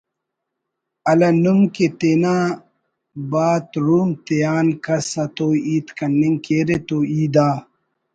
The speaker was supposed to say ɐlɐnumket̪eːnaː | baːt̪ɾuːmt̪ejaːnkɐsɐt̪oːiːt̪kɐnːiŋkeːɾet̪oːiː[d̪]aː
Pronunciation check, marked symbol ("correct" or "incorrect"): correct